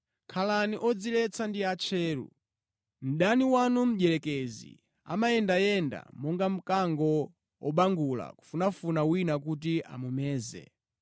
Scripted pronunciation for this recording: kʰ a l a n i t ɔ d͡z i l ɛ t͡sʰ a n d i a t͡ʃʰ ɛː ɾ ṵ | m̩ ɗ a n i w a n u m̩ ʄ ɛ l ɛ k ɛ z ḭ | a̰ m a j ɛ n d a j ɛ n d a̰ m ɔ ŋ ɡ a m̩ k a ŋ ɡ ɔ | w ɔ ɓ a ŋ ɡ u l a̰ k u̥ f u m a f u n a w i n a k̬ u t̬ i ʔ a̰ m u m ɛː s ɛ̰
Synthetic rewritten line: kʰ a l a n i ʔ ɔ d͡z i l ɛ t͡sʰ a n d i a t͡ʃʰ ɛː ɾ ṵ | m̩ ɗ a n i w a n u m̩ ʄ ɛ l ɛ k ɛ z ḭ | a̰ m a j ɛ n d a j ɛ n d a̰ m ɔ ŋ ɡ a m̩ k a ŋ ɡ ɔ | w ɔ ɓ a ŋ ɡ u l a̰ k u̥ f u n a f u n a w i n a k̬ u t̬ i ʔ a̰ m u m ɛː z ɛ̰